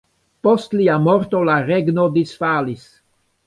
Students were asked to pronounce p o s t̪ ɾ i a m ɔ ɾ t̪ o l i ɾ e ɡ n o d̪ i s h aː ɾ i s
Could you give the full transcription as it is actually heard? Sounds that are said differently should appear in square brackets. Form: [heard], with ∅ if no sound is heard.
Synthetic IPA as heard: p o s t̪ [l] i a m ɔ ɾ t̪ o l [a] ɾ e ɡ n o d̪ i s [f] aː [l] i s